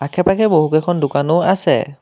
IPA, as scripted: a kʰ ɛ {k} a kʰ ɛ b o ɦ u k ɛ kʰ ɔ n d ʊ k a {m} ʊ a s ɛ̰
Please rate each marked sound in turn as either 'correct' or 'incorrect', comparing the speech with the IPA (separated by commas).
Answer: incorrect, incorrect